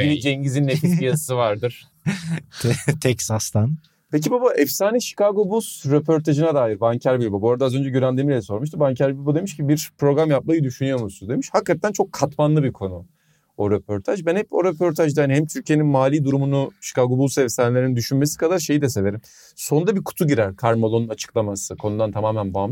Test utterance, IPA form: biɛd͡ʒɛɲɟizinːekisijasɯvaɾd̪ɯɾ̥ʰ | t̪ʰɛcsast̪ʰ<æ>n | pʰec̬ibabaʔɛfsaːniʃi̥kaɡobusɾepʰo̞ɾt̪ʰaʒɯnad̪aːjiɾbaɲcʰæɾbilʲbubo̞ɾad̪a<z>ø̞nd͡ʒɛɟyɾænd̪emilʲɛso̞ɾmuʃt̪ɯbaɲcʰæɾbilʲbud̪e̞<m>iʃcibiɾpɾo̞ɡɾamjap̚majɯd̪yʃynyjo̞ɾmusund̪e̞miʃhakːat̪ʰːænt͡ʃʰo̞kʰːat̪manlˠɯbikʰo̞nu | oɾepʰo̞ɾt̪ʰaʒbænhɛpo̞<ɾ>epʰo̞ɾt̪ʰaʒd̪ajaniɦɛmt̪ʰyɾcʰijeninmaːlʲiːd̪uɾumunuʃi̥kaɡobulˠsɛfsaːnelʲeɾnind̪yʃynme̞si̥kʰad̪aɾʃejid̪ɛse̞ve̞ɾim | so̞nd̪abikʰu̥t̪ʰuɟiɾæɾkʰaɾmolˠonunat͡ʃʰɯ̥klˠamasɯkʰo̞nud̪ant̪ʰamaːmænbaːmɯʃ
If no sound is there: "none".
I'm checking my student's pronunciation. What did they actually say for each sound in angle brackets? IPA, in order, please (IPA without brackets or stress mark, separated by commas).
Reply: a, z, m, ɾ